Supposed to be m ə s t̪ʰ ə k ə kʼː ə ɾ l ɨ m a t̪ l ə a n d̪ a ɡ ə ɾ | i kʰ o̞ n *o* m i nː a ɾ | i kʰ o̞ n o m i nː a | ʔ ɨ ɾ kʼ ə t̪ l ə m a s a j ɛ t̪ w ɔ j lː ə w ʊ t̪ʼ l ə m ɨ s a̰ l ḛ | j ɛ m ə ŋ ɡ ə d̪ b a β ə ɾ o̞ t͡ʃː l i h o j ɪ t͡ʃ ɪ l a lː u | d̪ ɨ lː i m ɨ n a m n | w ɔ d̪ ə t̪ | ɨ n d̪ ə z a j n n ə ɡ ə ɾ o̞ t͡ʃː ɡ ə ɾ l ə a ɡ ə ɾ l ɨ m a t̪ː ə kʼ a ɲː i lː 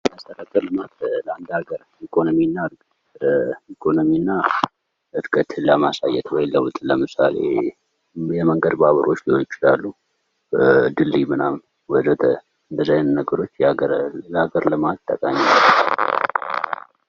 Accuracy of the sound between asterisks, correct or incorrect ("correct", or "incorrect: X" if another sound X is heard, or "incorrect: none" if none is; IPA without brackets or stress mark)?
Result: correct